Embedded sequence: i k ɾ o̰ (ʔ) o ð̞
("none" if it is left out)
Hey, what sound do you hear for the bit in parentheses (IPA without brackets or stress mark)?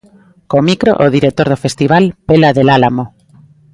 ʔ